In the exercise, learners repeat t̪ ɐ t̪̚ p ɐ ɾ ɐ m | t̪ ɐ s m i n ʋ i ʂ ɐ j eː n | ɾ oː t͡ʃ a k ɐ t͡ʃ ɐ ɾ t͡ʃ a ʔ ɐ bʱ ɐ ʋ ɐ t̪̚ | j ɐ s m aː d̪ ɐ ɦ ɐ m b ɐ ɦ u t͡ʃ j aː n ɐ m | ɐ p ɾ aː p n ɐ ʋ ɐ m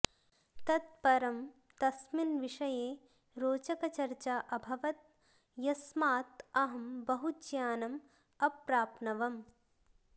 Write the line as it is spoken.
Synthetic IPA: t̪ ɐ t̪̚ p ɐ ɾ ɐ m | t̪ ɐ s m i n ʋ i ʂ ɐ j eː | ɾ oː t͡ʃ ɐ k ɐ t͡ʃ ɐ ɾ t͡ʃ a ʔ ɐ bʱ ɐ ʋ ɐ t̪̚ | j ɐ s m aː t̪ ɐ ɦ ɐ m b ɐ ɦ u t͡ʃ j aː n ɐ m | ɐ p ɾ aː p n ɐ ʋ ɐ m